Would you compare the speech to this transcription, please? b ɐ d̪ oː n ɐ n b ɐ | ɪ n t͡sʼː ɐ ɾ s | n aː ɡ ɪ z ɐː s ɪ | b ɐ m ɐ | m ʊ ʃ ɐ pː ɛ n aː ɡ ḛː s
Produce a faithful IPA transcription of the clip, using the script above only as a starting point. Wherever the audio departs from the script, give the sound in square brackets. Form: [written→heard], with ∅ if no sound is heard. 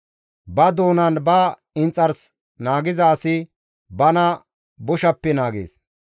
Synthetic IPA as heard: b ɐ d̪ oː n ɐ n b ɐ | ɪ n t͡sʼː ɐ ɾ s | n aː ɡ ɪ z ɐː s ɪ | b ɐ [m→n] ɐ | [m→b] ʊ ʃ ɐ pː ɛ n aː ɡ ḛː s